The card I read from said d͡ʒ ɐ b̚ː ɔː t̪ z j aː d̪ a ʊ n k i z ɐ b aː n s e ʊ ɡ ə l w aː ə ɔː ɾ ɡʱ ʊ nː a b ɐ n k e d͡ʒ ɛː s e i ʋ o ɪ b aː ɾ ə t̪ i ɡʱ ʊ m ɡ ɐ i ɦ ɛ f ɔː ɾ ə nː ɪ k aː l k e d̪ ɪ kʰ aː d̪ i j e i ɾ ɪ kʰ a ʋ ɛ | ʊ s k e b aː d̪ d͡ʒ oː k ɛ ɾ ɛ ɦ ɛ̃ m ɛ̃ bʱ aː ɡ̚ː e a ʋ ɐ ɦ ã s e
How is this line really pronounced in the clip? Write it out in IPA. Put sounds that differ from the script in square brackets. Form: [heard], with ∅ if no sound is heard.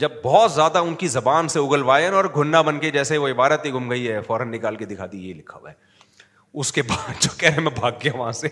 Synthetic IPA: d͡ʒ ɐ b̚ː ɔː t̪ z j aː d̪ a ʊ n k i z ɐ b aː n s e ʊ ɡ ə l [ʋ] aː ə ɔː ɾ ɡʱ ʊ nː a b ɐ n k e d͡ʒ ɛː s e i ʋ o ɪ b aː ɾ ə t̪ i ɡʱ ʊ m ɡ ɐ i ɦ ɛ f ɔː ɾ ə nː ɪ k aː l k e d̪ ɪ kʰ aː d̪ i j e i [l] ɪ kʰ a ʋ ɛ | ʊ s k e b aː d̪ d͡ʒ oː k ɛ ɾ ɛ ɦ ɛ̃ m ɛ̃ bʱ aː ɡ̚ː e a ʋ ɐ ɦ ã s e